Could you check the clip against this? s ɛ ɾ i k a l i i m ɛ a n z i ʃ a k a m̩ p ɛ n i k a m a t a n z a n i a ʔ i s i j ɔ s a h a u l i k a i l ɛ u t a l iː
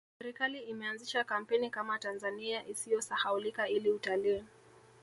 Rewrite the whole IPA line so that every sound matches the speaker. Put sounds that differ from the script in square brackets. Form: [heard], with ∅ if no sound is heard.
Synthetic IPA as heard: s ɛ ɾ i k a l i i m ɛ a n z i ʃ a k a m̩ p ɛ n i k a m a t a n z a n i a ʔ i s i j ɔ s a h a u l i k a i l [i] u t a l iː